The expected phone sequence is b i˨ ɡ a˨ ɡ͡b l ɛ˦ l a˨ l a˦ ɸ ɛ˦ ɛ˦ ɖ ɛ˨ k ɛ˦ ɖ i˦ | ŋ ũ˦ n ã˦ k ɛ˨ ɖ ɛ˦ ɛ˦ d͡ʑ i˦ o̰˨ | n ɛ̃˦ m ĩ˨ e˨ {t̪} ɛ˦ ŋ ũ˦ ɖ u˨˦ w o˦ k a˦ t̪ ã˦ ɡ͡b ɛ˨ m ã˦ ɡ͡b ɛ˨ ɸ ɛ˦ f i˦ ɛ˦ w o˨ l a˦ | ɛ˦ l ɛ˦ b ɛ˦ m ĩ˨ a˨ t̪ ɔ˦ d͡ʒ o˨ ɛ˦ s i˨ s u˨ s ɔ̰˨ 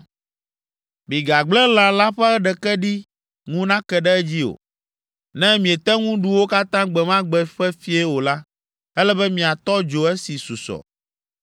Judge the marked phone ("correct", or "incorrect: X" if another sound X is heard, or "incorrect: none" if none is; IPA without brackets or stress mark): correct